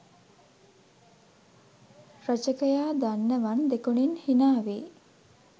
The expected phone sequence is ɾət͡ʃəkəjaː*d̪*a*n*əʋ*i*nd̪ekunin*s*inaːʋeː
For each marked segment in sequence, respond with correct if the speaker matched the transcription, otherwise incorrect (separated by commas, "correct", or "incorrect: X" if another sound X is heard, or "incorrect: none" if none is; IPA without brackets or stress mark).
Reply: correct, incorrect: nː, incorrect: a, incorrect: h